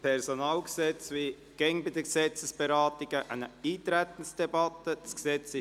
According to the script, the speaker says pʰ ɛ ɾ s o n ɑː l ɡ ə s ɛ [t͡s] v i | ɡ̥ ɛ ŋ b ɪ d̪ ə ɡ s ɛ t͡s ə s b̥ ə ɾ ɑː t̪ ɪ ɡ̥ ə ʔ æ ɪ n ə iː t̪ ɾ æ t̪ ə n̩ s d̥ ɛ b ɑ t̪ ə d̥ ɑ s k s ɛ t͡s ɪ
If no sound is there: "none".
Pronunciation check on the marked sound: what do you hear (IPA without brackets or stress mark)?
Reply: t͡s